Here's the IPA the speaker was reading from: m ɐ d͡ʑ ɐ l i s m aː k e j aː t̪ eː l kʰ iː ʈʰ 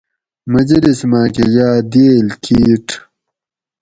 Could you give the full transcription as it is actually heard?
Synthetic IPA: m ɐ d͡ʑ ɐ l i s m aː k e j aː d̪ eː l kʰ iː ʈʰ